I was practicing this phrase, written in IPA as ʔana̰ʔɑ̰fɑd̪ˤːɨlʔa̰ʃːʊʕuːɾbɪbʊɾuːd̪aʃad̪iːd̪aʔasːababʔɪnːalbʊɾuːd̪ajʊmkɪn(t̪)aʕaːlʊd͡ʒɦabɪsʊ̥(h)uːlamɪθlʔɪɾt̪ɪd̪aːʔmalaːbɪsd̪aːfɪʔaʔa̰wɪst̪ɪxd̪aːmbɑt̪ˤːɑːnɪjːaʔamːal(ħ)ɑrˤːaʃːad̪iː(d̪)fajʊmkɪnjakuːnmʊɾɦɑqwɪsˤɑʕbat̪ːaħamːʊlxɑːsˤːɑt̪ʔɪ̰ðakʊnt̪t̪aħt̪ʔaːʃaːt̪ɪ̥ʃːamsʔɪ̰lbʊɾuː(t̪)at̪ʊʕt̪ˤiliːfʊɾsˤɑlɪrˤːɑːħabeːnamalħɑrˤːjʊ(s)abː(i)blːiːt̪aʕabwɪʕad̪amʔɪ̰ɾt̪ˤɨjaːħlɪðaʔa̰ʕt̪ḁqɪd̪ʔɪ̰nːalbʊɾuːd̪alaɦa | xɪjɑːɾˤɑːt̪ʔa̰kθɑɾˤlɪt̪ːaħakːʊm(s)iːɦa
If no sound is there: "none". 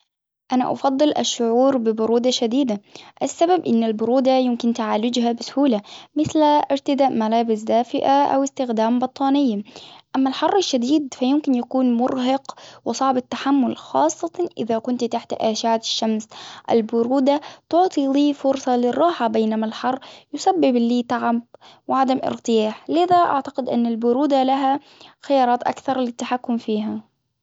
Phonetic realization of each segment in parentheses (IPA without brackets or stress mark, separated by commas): t̪, h, ħ, d̪, d̪, s, ɪ, f